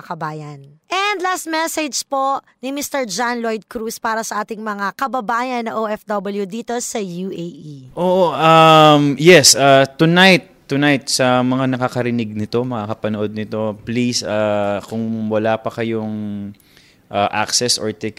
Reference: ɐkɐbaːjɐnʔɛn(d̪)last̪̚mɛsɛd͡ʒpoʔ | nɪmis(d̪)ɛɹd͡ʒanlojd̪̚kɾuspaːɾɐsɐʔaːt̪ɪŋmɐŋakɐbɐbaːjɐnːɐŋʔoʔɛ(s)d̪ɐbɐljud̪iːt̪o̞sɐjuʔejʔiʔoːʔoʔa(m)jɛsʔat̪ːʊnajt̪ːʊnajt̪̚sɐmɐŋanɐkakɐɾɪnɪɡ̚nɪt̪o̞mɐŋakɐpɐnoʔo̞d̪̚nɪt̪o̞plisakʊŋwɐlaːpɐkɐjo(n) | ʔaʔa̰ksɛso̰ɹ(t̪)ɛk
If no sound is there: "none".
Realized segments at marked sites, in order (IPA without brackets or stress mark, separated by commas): d̪, t̪, f, m, ŋ, t̪